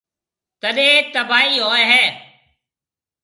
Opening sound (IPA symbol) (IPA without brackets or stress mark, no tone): t̪